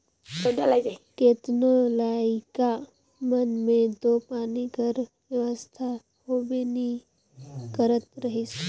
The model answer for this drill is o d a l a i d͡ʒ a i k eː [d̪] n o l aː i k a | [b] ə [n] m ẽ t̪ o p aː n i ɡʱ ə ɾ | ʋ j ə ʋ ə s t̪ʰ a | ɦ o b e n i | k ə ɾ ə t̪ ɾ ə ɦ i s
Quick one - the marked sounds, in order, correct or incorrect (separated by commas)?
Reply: incorrect, incorrect, correct